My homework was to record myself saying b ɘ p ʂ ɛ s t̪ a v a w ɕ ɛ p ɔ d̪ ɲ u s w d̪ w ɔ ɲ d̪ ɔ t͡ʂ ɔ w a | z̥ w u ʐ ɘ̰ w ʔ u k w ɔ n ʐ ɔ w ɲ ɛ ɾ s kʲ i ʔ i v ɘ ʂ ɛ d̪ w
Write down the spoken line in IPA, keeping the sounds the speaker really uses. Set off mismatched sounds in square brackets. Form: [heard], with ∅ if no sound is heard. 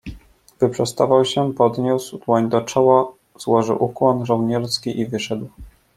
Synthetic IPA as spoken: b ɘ p ʂ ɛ s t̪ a v a w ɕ ɛ p ɔ d̪ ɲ u s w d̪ w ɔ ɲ d̪ ɔ t͡ʂ ɔ w a | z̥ w [ɔ] ʐ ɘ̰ w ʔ u k w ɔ n ʐ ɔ w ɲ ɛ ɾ s kʲ i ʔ i v ɘ ʂ ɛ d̪ w